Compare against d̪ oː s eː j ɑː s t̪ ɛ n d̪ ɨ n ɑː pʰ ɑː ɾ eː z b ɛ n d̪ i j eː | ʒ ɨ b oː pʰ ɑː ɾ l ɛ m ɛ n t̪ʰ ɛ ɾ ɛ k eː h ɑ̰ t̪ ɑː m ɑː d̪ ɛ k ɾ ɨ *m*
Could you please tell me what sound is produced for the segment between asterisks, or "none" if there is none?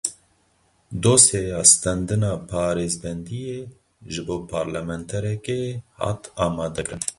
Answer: n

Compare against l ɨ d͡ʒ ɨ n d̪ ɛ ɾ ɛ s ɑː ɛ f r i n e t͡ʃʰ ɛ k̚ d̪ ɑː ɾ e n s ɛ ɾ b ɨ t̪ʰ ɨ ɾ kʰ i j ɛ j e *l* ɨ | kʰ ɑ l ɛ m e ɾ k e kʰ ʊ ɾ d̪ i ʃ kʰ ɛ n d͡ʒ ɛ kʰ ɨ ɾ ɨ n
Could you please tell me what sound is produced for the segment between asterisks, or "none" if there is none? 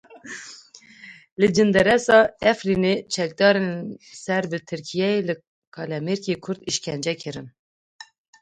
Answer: l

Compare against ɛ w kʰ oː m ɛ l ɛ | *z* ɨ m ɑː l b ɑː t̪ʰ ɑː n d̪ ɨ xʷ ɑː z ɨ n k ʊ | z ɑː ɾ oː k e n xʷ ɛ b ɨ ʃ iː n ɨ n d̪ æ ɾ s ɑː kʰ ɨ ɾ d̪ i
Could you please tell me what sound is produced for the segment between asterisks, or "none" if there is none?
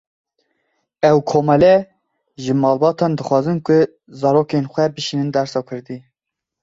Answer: ʒ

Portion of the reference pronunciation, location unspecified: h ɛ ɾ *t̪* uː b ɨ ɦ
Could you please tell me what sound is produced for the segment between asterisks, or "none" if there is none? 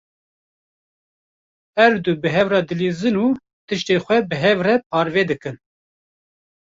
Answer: d̪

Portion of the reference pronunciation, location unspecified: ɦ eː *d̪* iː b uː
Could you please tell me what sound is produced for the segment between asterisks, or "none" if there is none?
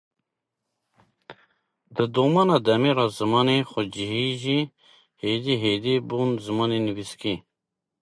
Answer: d̪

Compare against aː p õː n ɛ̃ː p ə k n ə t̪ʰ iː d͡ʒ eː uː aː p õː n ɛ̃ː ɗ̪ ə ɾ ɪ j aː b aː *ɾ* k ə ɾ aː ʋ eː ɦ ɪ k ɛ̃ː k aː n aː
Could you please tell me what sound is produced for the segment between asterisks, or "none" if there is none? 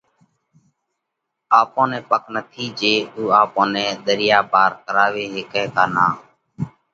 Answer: ɾ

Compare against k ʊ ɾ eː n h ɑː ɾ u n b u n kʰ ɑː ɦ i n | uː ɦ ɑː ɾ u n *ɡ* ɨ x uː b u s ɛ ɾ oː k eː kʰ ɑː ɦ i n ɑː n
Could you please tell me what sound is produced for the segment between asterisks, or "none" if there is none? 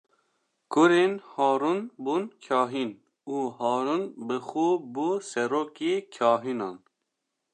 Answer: b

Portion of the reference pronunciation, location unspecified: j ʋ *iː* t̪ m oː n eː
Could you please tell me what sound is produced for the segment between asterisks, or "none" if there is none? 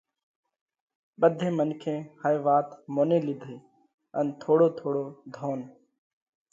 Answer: aː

